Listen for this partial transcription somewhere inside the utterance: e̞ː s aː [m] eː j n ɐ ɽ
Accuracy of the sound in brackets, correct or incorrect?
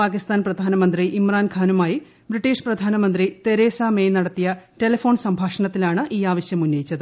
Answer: correct